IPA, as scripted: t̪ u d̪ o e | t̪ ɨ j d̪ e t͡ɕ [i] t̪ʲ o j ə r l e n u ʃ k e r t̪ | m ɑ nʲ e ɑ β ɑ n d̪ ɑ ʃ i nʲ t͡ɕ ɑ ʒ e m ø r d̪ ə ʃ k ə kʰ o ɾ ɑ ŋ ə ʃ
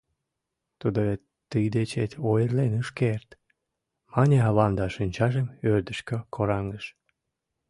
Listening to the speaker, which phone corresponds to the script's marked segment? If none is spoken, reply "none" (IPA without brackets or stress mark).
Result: e